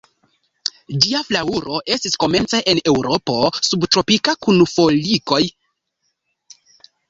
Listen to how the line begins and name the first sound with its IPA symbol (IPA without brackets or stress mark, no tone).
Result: d͡ʒ